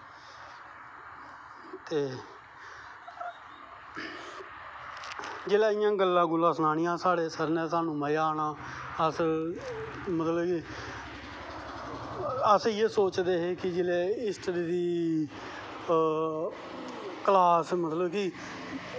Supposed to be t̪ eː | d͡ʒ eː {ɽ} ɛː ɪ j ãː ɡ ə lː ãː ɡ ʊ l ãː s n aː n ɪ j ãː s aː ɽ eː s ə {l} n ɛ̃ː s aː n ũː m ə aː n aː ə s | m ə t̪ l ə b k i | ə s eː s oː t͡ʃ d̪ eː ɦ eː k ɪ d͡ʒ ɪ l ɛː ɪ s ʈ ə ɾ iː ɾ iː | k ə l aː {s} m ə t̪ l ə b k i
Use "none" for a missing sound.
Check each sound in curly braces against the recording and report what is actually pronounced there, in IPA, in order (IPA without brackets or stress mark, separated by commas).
l, ɾ, s